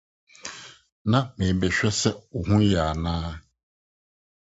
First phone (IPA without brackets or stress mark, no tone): n